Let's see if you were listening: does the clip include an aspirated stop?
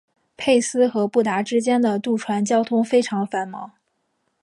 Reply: yes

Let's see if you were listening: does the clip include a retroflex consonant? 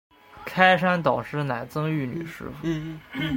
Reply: yes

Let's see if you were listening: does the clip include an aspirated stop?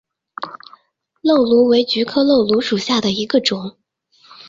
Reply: yes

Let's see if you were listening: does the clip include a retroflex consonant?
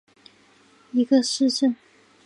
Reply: yes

